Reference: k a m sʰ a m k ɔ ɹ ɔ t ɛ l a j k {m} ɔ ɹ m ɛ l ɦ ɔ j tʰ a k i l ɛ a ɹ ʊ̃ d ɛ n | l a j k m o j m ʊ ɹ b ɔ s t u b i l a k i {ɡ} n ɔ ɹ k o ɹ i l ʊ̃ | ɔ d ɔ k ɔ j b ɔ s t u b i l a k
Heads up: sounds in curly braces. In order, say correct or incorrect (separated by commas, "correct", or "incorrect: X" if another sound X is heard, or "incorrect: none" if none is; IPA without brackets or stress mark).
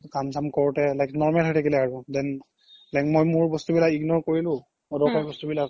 incorrect: n, correct